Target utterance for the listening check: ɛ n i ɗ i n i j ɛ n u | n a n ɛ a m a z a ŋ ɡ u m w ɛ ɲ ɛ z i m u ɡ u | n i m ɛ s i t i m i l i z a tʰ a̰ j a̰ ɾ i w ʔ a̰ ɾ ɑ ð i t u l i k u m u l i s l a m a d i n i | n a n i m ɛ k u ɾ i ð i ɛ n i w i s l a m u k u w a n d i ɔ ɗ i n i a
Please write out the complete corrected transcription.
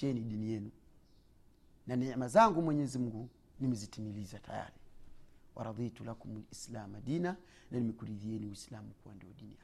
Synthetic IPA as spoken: ɛ n i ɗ i n i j ɛ n u | n a n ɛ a m a z a ŋ ɡ u m w ɛ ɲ ɛ z i m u ɡ u | n i m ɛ z i t i m i l i z a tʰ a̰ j a̰ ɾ i w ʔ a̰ ɾ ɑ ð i t u l a k u m u l i s l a m a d i n a | n a n i m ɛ k u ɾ i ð i ɛ n i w i s l a m u k u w a n d i ɔ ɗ i n i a